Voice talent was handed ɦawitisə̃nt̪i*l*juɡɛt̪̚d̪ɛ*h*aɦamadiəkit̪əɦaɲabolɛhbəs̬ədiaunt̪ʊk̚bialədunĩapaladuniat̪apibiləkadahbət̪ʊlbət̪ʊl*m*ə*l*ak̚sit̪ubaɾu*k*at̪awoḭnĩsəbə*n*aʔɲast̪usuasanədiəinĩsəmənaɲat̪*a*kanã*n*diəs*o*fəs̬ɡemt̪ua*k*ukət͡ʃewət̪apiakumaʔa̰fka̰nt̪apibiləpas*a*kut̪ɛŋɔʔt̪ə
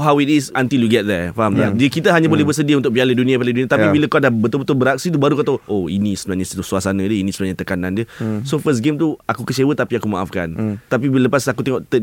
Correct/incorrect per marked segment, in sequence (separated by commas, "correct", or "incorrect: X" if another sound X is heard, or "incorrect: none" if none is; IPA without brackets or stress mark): correct, incorrect: f, incorrect: b, incorrect: ɾ, correct, correct, incorrect: ə, correct, correct, correct, correct